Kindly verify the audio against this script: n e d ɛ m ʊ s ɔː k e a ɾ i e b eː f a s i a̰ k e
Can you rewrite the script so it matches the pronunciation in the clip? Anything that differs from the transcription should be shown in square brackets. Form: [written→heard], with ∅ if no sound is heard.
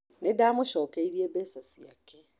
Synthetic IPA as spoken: n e d [ɛ→a] m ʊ [s→ʃ] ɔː k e [a→i] ɾ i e b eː [f→s] a s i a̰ k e